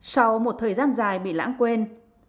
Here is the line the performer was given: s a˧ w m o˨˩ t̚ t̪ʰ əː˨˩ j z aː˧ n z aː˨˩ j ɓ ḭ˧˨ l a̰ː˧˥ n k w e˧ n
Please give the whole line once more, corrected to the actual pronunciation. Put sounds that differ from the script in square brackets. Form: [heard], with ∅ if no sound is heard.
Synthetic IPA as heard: s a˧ w m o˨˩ t̚ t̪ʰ əː˨˩ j z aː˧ n z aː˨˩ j ɓ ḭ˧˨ l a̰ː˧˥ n k w e˧ n